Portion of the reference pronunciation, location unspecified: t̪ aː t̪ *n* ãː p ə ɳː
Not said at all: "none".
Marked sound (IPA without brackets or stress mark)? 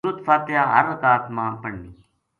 m